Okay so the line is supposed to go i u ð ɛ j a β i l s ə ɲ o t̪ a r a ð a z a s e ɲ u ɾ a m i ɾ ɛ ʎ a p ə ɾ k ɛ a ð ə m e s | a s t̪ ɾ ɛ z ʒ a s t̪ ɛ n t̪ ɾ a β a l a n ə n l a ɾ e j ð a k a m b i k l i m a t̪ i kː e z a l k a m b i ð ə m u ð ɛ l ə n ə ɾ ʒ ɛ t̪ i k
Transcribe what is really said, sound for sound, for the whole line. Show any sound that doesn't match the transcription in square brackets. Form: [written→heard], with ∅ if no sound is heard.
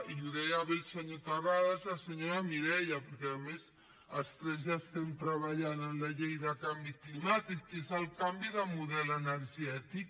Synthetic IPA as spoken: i u ð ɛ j a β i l s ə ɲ o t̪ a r a ð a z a s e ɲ [u→o] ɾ a m i ɾ ɛ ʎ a p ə ɾ k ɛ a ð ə m e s | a s t̪ ɾ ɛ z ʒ a s t̪ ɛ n t̪ ɾ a β a [l→ʎ] a n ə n l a [ɾ→ʎ] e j ð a k a m b i k l i m a t̪ i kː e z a l k a m b i ð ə m u ð ɛ l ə n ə ɾ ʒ ɛ t̪ i k